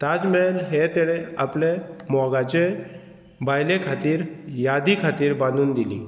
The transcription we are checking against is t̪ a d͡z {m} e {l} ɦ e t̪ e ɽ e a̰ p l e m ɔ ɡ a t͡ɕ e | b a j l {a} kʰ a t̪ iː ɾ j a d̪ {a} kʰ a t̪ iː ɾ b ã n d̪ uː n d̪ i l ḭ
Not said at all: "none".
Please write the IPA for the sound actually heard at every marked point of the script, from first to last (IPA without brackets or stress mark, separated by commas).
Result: m, l, e, i